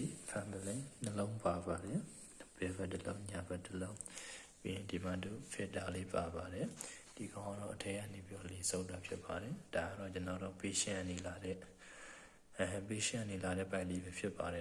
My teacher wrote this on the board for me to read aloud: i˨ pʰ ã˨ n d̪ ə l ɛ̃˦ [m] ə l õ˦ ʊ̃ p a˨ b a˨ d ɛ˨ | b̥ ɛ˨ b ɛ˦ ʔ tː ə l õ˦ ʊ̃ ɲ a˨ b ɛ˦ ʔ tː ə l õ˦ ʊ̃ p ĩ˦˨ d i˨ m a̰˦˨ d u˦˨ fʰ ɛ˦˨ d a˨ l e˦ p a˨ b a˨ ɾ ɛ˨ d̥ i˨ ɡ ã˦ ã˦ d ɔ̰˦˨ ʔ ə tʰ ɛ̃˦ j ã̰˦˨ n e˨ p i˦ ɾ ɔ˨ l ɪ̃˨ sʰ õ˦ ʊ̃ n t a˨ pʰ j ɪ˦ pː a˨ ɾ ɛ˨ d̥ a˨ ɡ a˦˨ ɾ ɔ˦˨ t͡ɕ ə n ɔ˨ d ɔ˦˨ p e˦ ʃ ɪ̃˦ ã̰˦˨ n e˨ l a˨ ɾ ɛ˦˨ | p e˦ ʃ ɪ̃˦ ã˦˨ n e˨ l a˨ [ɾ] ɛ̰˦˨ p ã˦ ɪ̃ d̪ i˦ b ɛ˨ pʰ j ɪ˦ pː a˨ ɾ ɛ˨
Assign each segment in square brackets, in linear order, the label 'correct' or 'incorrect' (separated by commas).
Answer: incorrect, correct